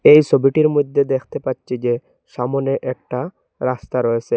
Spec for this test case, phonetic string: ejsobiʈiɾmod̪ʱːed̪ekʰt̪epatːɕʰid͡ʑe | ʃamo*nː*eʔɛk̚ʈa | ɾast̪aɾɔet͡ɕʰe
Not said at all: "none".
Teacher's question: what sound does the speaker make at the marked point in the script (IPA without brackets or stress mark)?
n